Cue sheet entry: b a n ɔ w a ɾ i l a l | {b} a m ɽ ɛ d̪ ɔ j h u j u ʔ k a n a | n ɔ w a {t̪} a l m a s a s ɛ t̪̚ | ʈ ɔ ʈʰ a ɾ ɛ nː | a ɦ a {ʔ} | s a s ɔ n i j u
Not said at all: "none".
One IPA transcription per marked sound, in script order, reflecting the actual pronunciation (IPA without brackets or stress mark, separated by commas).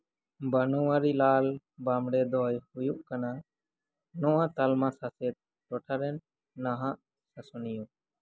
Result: b, t̪, ʔ